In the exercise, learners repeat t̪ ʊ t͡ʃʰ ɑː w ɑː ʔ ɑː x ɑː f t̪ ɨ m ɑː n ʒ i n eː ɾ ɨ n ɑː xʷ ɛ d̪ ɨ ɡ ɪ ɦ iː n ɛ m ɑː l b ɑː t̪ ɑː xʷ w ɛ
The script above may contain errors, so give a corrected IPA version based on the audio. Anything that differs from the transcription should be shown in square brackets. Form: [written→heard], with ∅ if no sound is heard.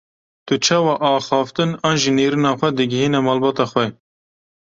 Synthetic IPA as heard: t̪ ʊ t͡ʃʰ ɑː w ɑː ʔ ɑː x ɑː f t̪ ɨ [m→n] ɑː n ʒ i n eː ɾ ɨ n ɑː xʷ ɛ d̪ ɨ ɡ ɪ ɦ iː n ɛ m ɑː l b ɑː t̪ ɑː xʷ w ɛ